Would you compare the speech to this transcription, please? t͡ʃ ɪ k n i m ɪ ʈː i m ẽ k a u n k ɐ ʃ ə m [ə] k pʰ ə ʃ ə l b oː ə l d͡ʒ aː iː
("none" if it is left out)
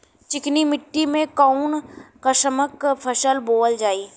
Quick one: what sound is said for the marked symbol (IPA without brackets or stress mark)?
ə